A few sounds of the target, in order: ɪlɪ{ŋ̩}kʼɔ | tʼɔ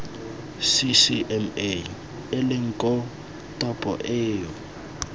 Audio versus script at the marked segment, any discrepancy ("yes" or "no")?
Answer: no